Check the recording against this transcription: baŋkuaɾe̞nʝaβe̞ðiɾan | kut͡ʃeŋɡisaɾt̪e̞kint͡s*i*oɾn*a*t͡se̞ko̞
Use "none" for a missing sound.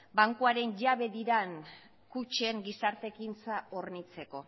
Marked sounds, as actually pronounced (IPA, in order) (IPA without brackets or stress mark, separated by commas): a, i